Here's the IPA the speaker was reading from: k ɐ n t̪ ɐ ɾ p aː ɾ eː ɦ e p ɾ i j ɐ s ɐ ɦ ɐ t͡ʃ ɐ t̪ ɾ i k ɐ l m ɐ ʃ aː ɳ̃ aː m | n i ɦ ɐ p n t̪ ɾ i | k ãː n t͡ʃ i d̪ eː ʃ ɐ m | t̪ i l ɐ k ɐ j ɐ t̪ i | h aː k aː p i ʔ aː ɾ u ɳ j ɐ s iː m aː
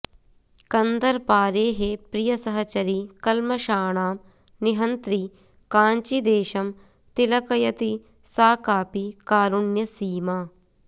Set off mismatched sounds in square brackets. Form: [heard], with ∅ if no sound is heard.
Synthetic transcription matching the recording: k ɐ n [d̪] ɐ ɾ p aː ɾ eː ɦ e p ɾ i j ɐ s ɐ ɦ ɐ t͡ʃ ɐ [∅] ɾ i k ɐ l m ɐ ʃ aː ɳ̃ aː m | n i ɦ ɐ [∅] n t̪ ɾ i | k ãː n t͡ʃ i d̪ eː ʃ ɐ m | t̪ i l ɐ k ɐ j ɐ t̪ i | [s] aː k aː p i [k] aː ɾ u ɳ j ɐ s iː m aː